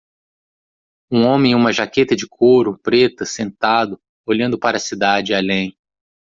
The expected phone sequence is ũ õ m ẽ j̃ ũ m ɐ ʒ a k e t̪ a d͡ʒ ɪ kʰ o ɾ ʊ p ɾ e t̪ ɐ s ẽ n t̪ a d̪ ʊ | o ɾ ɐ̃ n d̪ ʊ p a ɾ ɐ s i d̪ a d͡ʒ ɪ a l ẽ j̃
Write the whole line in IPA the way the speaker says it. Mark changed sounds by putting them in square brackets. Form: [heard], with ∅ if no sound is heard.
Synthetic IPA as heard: ũ õ m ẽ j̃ ũ m ɐ ʒ a k e t̪ [ɐ] d͡ʒ ɪ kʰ o ɾ ʊ p ɾ e t̪ ɐ s ẽ n t̪ a d̪ ʊ | o [ʎ] ɐ̃ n d̪ ʊ p a ɾ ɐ s i d̪ a d͡ʒ ɪ a l ẽ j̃